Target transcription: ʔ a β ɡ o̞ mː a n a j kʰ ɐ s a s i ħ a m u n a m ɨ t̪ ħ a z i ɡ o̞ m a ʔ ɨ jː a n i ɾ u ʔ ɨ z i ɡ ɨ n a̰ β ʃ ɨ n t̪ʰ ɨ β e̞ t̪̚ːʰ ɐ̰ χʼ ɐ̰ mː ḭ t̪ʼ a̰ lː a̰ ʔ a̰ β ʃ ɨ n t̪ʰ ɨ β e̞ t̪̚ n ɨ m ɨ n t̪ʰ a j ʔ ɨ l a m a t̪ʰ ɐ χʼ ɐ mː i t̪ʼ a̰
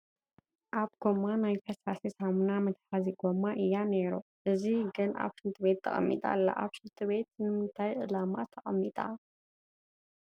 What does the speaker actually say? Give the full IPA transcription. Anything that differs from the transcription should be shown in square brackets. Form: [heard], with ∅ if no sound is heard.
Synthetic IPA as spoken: ʔ a β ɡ o̞ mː a n a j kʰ ɐ s a s i [s] a m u n a m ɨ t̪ ħ a z i ɡ o̞ m a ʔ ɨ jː a n [e] ɾ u ʔ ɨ z i ɡ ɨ n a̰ β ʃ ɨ n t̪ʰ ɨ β e̞ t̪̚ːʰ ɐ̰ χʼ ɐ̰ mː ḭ t̪ʼ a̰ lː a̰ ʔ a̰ β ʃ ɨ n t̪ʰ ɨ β e̞ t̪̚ n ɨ m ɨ n t̪ʰ a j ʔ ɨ l a m a t̪ʰ ɐ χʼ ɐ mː i t̪ʼ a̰